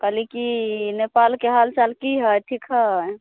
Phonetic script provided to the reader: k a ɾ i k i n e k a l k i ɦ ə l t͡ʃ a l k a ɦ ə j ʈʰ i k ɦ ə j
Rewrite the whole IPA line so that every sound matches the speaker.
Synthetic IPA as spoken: k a l i k i n e p a l k e ɦ a l t͡ʃ a l k i ɦ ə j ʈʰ i k ɦ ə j

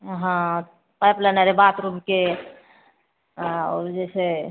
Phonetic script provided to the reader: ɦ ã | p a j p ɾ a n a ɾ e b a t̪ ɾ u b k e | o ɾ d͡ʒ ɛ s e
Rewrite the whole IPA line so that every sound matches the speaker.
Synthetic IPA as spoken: ɦ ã | p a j p l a n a ɾ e b a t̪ ɾ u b k e | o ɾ d͡ʒ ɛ s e

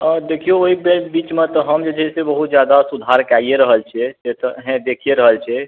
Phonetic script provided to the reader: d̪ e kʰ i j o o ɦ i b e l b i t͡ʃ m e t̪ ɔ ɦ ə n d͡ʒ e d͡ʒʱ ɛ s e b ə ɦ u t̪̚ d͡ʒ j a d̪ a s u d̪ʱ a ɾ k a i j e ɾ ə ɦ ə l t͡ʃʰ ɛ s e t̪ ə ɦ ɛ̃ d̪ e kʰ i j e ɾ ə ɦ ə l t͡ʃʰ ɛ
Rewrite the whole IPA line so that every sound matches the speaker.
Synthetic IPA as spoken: d̪ e kʰ i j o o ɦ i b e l b i t͡ʃ m e t̪ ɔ ɦ ə m d͡ʒ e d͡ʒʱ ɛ s e b ə ɦ u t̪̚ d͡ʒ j a d̪ a s u d̪ʱ a ɾ k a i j e ɾ ə ɦ ə l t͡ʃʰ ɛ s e t̪ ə ɦ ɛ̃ d̪ e kʰ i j e ɾ ə ɦ ə l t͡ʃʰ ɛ

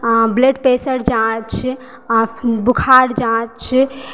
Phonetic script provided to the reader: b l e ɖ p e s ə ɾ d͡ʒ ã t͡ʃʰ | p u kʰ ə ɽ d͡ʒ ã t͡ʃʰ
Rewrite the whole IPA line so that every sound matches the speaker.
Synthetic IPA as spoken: b l e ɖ p e s ə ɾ d͡ʒ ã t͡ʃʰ | b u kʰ a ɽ d͡ʒ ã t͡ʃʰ

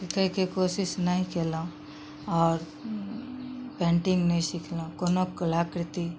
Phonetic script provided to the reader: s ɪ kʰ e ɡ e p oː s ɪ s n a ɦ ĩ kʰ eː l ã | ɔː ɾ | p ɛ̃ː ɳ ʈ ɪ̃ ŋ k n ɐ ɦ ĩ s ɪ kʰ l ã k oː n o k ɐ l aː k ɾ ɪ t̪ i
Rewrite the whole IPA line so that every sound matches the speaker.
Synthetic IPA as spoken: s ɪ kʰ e k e k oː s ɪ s n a ɦ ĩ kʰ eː l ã | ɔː ɾ | p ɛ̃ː ɳ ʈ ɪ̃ ŋ ɡ n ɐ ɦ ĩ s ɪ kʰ l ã k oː n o k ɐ l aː k ɾ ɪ t̪ i

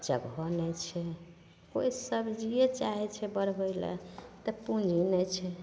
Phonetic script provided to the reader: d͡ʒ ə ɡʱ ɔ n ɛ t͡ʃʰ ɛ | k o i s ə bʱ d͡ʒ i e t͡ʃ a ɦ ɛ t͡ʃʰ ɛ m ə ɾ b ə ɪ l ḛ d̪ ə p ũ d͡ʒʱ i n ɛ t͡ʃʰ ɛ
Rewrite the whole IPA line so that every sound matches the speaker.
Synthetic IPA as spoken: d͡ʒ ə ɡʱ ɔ n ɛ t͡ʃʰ ɛ | k o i s ə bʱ d͡ʒ i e t͡ʃ a ɦ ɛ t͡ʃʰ ɛ b ə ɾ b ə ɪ l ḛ t̪ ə p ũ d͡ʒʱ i n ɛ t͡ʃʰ ɛ

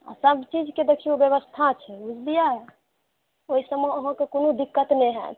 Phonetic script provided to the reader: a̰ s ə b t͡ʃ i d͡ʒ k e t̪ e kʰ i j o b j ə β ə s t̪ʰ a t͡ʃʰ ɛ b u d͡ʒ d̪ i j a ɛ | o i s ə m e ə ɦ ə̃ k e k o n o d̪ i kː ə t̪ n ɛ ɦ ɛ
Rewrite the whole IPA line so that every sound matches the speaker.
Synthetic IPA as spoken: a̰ s ə b t͡ʃ i d͡ʒ k e d̪ e kʰ i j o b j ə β ə s t̪ʰ a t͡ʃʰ ɛ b u d͡ʒ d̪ i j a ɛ | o i s ə m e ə ɦ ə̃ k e k o n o d̪ i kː ə t̪ n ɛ ɦ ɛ

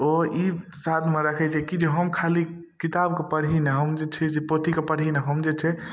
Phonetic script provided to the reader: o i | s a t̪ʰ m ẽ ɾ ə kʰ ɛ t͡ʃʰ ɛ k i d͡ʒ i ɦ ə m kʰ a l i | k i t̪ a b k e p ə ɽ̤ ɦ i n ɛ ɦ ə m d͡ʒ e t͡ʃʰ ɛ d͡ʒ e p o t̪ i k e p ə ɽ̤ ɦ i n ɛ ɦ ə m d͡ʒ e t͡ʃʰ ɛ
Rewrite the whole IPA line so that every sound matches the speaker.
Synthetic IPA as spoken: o i | s a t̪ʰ m e ɾ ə kʰ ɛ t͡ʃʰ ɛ k i d͡ʒ e ɦ ə m kʰ a l i | k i t̪ a b k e p ə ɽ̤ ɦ i n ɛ ɦ ə m d͡ʒ e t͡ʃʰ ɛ d͡ʒ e p o t̪ i k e p ə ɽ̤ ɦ i n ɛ ɦ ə m d͡ʒ e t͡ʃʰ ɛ

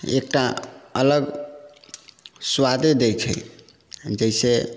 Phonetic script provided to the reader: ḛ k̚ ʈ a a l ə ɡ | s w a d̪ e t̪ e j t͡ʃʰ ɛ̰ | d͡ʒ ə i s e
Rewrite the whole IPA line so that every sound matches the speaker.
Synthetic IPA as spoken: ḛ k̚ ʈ a ə l ə ɡ | s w a d̪ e d̪ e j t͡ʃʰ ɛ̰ | d͡ʒ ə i s e

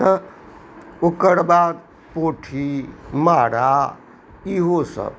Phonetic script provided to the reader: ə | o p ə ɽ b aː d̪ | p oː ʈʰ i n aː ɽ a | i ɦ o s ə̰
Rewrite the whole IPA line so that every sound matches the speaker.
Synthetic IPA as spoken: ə | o k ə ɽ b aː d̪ | p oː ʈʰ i m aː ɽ a | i ɦ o s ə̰

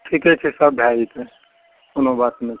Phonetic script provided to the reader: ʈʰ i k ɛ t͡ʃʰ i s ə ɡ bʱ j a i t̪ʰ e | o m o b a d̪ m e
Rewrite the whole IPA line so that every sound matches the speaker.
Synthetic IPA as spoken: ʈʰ i k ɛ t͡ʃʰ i s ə b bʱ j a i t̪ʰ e | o n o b a t̪ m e

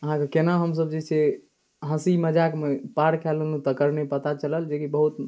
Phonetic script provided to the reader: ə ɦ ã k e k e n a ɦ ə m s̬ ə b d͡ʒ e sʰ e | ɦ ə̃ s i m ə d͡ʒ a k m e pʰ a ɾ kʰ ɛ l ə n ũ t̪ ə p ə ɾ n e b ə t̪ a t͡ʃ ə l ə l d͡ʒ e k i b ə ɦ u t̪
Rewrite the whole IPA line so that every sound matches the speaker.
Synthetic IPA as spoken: ə ɦ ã k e k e n a ɦ ə m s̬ ə b d͡ʒ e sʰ e | ɦ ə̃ s i m ə d͡ʒ a k m e p a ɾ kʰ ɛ l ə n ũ t̪ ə k ə ɾ n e p ə t̪ a t͡ʃ ə l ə l d͡ʒ e k i b ə ɦ u t̪

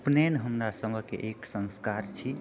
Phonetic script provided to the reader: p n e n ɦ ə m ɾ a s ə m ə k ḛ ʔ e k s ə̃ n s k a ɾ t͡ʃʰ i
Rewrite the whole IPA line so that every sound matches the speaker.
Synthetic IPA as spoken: p n e n ɦ ə m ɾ a s ə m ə k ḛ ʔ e k s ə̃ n s k a ɾ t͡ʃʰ i

